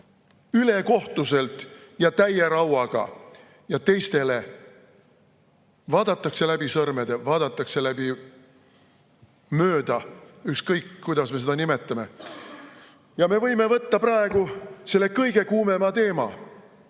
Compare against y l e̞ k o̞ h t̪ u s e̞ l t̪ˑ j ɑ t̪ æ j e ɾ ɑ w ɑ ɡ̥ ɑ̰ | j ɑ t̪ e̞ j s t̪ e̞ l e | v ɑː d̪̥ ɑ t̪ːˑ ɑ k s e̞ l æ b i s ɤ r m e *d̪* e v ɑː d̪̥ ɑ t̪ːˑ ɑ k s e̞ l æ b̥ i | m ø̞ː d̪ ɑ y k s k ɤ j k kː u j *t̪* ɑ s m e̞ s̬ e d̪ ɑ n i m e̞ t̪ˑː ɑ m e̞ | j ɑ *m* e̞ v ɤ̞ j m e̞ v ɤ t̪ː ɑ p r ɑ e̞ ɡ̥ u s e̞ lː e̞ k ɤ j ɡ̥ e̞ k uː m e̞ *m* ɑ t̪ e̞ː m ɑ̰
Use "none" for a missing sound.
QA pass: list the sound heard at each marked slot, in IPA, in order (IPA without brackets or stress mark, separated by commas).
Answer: d̪, d̪, m, m